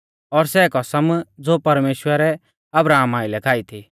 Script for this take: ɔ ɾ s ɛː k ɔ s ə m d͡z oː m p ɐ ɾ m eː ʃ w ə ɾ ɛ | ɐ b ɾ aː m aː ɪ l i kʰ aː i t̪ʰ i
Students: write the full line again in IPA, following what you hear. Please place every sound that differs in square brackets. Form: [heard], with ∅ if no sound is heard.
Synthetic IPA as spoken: ɔ ɾ s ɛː k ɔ s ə m d͡z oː [∅] p ɐ ɾ m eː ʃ w ə ɾ ɛ | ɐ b ɾ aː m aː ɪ l [ɛ] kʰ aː i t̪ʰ i